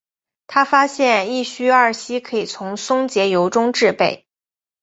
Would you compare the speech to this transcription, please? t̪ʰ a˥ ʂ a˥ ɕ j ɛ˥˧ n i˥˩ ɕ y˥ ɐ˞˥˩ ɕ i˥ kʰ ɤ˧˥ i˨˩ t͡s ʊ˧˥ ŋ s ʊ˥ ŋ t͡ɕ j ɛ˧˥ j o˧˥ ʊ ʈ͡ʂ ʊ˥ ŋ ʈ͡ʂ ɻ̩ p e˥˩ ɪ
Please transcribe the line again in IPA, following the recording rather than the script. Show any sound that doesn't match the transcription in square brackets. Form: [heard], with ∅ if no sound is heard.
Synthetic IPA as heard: t̪ʰ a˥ [f] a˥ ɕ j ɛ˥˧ n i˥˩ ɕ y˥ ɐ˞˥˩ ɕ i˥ kʰ ɤ˧˥ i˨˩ [t͡sʰ] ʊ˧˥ ŋ s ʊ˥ ŋ t͡ɕ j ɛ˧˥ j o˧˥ ʊ ʈ͡ʂ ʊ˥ ŋ ʈ͡ʂ ɻ̩ p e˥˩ ɪ